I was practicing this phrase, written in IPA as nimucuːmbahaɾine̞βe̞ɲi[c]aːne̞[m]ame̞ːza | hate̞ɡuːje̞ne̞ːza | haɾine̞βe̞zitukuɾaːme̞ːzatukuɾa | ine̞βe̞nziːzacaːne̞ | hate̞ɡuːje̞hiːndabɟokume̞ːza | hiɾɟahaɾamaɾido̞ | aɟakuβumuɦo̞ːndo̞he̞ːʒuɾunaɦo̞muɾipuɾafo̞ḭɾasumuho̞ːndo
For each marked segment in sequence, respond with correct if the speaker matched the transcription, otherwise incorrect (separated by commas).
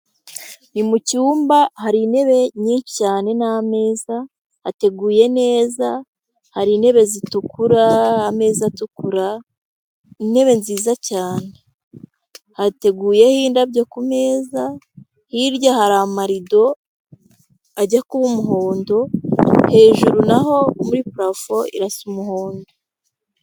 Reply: correct, incorrect